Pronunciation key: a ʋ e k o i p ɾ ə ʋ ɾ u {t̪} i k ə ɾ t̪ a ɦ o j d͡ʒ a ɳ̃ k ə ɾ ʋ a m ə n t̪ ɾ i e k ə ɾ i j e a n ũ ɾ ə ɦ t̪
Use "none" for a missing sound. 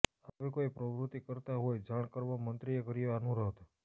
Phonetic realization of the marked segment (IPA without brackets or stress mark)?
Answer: t̪